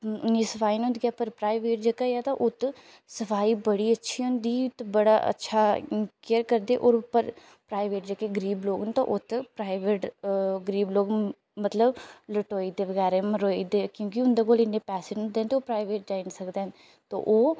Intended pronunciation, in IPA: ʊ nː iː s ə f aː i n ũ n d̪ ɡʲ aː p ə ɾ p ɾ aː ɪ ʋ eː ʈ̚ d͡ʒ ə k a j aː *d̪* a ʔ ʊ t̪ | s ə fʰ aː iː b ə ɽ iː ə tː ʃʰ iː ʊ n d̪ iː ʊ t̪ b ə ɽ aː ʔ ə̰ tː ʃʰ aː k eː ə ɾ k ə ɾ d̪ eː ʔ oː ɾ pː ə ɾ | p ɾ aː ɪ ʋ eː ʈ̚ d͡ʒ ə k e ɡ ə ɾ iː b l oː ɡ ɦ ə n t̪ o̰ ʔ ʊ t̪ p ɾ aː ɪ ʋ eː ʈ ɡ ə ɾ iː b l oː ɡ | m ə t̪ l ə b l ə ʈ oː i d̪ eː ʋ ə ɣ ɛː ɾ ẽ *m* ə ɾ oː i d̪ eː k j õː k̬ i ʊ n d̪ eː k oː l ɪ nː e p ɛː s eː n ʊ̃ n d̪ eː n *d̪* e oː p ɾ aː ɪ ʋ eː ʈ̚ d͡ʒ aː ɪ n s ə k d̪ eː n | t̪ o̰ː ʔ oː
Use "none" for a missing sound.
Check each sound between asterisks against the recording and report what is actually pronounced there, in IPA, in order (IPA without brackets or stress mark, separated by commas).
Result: t̪, m, t̪